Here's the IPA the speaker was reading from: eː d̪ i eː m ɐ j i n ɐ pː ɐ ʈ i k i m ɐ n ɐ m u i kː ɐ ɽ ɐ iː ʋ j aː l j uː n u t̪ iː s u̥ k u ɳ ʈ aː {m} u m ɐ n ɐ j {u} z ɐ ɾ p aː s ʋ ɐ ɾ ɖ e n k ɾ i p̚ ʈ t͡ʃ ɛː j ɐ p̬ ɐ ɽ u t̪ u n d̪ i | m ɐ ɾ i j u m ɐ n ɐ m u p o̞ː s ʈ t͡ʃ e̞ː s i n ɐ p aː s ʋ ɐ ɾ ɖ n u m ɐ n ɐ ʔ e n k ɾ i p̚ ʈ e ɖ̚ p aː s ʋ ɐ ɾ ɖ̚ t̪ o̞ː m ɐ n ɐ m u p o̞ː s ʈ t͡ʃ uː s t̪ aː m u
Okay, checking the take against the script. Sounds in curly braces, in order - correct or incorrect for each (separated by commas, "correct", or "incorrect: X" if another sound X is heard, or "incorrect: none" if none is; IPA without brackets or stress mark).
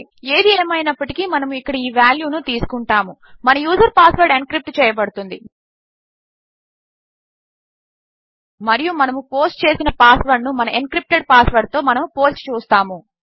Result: correct, incorrect: uː